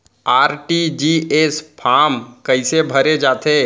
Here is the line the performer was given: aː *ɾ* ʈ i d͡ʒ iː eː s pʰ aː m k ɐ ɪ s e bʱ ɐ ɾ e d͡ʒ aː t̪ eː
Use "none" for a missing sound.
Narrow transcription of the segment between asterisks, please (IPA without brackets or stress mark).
ɾ